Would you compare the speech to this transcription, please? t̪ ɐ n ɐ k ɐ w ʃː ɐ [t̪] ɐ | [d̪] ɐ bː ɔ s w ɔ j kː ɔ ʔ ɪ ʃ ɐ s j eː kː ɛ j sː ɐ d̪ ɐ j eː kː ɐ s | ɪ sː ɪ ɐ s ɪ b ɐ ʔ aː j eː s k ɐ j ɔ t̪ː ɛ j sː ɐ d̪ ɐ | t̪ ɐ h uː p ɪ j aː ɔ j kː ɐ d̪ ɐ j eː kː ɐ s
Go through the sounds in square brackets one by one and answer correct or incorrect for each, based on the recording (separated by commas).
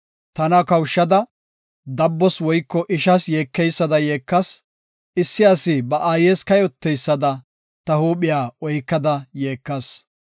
incorrect, correct